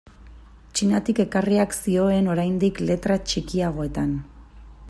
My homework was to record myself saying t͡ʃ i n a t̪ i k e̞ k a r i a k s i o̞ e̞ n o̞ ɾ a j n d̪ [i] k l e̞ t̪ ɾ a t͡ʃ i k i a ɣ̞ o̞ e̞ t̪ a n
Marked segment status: correct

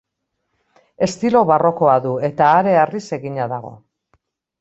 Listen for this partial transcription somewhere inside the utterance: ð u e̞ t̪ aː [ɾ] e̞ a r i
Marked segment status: correct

